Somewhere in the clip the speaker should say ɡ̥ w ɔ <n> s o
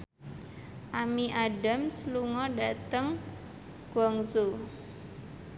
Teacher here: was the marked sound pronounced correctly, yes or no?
no